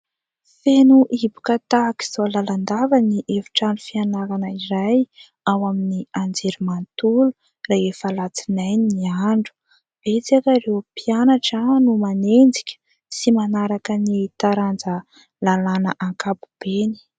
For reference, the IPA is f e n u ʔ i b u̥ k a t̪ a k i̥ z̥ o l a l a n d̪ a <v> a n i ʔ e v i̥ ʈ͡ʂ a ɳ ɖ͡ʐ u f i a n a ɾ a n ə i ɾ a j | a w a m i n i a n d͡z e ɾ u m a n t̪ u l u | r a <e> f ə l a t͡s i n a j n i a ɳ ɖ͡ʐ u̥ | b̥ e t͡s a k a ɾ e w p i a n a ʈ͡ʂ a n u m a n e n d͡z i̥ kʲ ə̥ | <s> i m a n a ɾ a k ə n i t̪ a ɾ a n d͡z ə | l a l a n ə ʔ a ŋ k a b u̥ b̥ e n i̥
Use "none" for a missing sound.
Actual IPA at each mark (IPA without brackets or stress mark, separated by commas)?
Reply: v, e, s